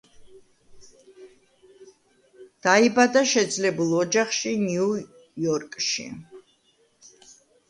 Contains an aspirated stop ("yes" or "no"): no